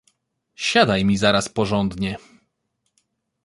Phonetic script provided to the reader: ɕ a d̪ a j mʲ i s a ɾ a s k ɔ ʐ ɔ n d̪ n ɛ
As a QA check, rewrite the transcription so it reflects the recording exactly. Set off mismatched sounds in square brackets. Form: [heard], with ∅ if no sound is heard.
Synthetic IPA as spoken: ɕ a d̪ a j mʲ i [z] a ɾ a s [p] ɔ ʐ ɔ n d̪ [ɲ] ɛ